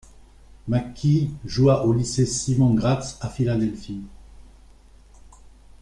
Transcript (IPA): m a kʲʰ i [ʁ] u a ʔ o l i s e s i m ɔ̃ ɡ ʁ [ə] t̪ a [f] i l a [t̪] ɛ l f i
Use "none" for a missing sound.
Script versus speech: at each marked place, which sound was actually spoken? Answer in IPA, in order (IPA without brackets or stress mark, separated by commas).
ʒ, a, f, d̪